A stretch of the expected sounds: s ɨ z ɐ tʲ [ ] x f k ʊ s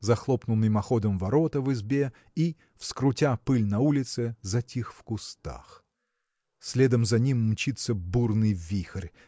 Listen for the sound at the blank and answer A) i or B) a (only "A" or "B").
A